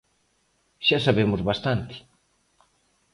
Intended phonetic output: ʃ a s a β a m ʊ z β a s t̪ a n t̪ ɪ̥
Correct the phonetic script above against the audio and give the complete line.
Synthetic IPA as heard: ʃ a s a β e m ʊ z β a s t̪ a n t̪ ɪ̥